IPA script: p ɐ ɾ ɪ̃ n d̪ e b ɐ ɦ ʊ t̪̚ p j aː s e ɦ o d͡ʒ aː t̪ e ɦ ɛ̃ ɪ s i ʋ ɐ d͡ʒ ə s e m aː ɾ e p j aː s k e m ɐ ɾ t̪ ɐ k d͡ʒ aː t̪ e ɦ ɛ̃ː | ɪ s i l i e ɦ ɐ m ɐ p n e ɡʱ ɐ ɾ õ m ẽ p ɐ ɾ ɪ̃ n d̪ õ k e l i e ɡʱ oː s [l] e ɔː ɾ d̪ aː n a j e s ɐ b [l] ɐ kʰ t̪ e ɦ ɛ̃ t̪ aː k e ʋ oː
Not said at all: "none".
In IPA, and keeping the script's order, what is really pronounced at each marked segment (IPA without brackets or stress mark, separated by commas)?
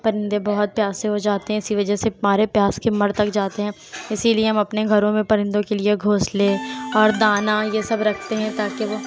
l, ɾ